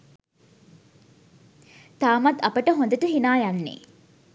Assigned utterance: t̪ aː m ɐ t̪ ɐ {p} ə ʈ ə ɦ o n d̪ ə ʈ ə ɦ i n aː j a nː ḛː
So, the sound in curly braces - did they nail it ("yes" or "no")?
yes